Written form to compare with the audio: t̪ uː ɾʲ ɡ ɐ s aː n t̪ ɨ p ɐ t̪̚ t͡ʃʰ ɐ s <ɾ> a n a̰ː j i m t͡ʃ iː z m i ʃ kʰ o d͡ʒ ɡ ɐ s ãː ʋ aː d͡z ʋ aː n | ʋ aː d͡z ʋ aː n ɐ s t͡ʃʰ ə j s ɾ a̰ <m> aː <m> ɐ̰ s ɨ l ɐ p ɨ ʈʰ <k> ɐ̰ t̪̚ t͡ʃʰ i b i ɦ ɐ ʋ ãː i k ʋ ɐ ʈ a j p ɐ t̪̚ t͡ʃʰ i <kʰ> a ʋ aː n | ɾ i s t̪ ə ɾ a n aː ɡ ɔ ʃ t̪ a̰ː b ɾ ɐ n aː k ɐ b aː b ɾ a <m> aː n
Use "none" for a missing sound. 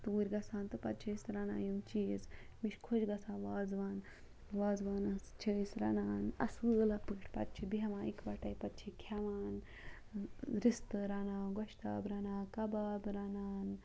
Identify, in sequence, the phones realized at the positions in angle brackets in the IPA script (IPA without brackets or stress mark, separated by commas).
ɾ, n, n, p, kʰ, n